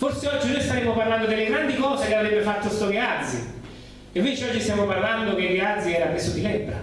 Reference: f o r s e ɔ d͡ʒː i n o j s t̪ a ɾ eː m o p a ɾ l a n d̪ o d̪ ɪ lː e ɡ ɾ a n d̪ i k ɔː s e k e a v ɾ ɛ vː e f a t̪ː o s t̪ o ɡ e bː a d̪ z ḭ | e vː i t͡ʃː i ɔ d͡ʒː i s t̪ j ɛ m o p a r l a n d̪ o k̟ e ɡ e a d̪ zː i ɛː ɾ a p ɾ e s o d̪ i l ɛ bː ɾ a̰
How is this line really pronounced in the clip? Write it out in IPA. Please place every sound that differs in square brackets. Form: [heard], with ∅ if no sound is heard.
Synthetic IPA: f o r s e ɔ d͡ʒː i n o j s t̪ a ɾ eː m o p a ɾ l a n d̪ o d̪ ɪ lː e ɡ ɾ a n d̪ i k ɔː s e k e a v ɾ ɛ [bː] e f a t̪ː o s t̪ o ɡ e [∅] a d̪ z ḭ | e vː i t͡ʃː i ɔ d͡ʒː i s t̪ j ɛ m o p a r l a n d̪ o k̟ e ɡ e a d̪ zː i ɛː ɾ a p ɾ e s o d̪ i l ɛ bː ɾ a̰